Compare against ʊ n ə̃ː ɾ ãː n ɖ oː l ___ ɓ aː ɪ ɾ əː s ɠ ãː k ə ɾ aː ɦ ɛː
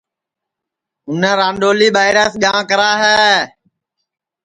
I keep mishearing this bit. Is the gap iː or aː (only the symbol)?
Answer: iː